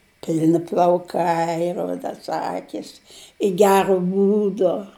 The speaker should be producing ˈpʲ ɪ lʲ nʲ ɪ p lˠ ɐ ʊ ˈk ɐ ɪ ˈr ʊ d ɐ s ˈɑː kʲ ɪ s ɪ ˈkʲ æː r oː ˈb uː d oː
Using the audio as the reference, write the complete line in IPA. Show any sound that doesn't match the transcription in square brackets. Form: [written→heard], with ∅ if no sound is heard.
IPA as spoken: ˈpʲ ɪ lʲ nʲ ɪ p lˠ ɐ ʊ ˈk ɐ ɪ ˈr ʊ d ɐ s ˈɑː kʲ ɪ s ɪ [ˈkʲ→ˈɡʲ] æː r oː ˈb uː d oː

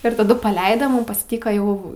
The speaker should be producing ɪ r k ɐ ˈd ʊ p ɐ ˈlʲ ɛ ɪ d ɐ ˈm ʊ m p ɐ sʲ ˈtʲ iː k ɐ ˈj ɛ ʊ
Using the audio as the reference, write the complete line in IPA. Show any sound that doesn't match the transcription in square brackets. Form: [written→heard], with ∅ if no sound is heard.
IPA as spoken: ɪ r [k→t] ɐ ˈd ʊ p ɐ ˈlʲ ɛ ɪ d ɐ ˈm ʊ m p ɐ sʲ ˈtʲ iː k ɐ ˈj ɛ ʊ

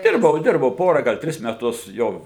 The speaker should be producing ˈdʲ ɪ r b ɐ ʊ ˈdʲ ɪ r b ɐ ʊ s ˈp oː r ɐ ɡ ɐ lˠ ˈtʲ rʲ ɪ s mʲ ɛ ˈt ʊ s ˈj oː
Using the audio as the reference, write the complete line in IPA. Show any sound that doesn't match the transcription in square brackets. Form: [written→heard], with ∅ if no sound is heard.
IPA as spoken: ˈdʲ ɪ r b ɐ ʊ ˈdʲ ɪ r b ɐ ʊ [s→∅] ˈp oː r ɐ ɡ ɐ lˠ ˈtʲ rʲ ɪ s mʲ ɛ ˈt ʊ s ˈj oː

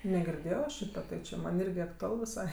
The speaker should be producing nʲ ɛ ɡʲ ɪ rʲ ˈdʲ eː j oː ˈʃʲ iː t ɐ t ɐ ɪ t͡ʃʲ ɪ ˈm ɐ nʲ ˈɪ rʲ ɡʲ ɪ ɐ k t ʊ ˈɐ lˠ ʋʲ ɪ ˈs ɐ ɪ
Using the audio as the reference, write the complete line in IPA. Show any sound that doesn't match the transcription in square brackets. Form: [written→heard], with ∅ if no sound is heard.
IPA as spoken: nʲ ɛ ɡʲ ɪ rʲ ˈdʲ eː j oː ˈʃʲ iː t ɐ t ɐ ɪ t͡ʃʲ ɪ ˈm ɐ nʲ ˈɪ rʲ ɡʲ ɪ ɐ k t ʊ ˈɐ lˠ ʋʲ ɪ ˈs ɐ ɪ

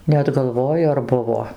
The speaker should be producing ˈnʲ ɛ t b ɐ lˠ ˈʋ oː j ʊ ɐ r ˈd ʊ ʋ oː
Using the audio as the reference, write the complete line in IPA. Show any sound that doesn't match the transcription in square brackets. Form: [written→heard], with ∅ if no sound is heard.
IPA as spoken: ˈnʲ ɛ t [b→ɡ] ɐ lˠ ˈʋ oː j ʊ ɐ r [ˈd→ˈb] ʊ ʋ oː

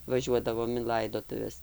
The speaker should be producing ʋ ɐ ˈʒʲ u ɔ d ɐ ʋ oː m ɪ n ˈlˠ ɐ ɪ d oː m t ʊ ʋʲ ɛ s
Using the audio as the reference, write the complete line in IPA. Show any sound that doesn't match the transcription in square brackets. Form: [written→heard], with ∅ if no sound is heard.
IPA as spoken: ʋ ɐ ˈʒʲ u ɔ d ɐ ʋ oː m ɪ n ˈlˠ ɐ ɪ d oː [m→∅] t ʊ ʋʲ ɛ s

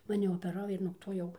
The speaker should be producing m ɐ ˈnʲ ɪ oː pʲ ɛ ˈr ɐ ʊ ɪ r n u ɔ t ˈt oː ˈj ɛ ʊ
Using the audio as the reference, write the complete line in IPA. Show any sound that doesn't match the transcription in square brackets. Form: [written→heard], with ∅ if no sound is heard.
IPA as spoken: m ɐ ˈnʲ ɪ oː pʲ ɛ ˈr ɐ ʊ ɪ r n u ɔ [t→k] ˈt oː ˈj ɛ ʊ

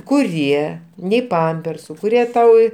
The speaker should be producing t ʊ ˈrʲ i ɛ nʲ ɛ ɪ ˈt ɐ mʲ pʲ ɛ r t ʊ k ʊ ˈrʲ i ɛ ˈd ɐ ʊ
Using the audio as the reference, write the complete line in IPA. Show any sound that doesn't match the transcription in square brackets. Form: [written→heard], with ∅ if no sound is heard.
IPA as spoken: [t→k] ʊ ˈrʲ i ɛ nʲ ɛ ɪ [ˈt→ˈp] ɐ mʲ pʲ ɛ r [t→s] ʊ k ʊ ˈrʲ i ɛ [ˈd→ˈt] ɐ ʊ

